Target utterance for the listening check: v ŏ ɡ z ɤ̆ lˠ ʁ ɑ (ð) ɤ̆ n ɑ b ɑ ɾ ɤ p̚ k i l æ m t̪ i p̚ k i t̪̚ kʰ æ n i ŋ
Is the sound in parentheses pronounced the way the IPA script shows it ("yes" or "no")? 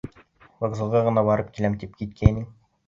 no